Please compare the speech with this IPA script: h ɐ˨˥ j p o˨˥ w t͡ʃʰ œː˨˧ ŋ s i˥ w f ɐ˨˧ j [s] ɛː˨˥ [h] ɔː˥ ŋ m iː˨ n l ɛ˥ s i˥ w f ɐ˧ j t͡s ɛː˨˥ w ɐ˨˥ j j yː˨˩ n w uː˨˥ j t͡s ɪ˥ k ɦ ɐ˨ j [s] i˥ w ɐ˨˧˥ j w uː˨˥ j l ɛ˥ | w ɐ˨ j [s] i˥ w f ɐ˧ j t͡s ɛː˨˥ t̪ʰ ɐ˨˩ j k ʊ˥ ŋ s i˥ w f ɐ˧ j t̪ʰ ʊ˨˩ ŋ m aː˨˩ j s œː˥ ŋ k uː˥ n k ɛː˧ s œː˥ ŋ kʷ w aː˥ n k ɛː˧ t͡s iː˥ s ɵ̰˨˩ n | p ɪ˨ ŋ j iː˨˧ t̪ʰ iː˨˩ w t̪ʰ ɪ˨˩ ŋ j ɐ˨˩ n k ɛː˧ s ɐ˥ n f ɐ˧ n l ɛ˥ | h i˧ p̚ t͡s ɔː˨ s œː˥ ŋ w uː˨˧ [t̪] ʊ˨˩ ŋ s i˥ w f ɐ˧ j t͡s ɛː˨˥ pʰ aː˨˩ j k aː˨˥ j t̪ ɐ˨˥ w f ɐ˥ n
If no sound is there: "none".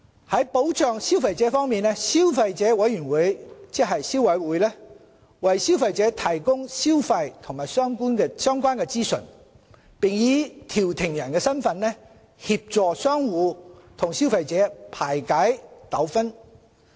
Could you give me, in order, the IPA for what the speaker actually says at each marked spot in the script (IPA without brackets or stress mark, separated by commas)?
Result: t͡s, f, s, s, t̪ʰ